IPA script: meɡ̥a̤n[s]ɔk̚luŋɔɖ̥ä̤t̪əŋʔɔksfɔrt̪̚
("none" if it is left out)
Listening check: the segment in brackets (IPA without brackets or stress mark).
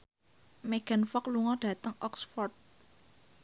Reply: f